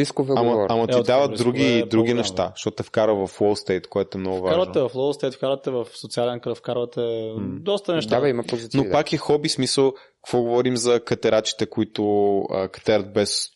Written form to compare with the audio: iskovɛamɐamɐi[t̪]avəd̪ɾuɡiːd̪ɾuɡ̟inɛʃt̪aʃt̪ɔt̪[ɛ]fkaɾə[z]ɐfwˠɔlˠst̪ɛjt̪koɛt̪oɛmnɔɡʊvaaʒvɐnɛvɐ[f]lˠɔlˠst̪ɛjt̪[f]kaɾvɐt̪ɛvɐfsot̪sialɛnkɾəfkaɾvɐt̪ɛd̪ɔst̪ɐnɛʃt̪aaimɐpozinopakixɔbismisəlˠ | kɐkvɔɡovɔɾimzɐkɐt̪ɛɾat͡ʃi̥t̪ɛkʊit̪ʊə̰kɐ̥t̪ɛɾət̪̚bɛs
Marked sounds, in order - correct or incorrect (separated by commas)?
incorrect, correct, incorrect, correct, correct